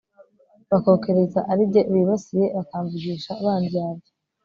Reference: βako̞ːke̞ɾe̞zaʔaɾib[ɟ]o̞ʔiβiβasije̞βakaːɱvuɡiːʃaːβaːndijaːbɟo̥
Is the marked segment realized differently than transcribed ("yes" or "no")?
no